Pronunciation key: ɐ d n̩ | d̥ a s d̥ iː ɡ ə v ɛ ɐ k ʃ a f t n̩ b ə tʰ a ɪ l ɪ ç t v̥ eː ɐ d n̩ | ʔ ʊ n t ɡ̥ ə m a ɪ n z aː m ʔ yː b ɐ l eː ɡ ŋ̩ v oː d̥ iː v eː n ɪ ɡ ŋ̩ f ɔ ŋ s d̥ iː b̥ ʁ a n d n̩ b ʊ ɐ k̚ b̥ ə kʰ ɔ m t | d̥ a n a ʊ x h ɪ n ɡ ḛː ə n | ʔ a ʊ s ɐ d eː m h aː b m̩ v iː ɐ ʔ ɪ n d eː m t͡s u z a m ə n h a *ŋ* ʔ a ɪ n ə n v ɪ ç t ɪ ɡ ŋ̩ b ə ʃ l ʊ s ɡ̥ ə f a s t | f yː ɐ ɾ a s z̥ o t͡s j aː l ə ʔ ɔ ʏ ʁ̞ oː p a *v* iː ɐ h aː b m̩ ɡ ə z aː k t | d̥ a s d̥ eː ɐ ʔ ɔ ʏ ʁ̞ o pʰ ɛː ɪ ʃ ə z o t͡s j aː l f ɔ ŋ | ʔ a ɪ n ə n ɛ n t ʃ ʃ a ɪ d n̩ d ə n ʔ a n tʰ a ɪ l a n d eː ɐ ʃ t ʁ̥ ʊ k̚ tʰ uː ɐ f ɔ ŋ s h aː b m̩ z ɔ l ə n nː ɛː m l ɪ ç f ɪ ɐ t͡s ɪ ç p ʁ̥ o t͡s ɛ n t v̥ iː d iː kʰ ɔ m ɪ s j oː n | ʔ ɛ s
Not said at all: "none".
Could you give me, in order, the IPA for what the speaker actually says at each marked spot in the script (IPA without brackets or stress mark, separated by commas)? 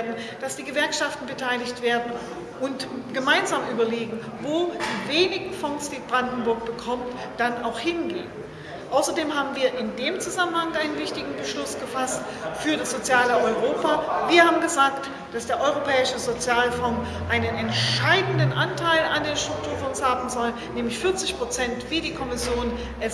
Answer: ŋ, v